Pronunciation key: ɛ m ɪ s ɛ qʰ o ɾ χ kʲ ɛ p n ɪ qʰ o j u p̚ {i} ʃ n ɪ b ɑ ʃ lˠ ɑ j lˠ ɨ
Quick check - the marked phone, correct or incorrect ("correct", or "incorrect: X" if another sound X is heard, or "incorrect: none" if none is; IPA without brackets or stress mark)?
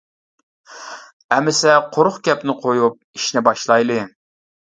correct